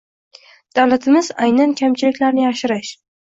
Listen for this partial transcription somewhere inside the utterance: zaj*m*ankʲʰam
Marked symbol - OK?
no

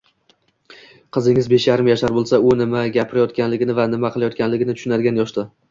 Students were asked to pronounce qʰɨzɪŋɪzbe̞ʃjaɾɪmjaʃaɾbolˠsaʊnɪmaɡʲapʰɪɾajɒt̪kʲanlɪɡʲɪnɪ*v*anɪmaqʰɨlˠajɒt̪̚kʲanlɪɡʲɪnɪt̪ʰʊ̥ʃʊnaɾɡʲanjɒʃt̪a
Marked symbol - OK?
yes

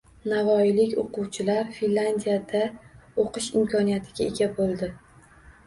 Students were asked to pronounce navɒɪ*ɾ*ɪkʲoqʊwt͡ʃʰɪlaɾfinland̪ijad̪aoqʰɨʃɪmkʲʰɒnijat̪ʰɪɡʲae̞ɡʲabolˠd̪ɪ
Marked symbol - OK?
no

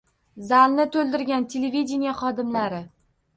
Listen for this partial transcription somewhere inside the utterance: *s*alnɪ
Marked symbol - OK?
no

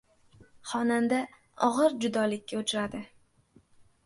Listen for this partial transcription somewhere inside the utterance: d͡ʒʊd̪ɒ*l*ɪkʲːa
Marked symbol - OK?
yes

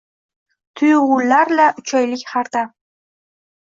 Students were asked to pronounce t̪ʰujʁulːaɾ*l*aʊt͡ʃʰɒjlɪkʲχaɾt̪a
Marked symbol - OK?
yes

